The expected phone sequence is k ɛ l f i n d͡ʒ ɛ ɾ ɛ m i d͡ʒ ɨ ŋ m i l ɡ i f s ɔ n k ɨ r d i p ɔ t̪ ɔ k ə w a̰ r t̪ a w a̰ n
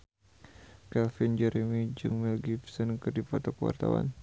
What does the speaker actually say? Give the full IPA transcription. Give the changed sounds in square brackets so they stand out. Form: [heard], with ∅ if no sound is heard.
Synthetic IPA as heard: k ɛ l f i n d͡ʒ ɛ ɾ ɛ m i d͡ʒ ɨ ŋ m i l ɡ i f s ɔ n k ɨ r d i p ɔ t̪ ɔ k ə w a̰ r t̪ a w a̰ n